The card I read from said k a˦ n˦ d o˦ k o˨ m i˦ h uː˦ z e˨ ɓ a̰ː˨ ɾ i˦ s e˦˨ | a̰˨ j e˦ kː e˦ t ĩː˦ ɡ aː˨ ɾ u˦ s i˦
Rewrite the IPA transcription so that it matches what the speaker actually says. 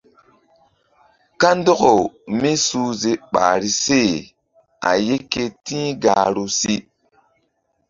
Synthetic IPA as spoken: k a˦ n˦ d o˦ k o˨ m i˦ s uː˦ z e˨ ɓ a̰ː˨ ɾ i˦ s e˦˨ | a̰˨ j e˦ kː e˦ t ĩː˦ ɡ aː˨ ɾ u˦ s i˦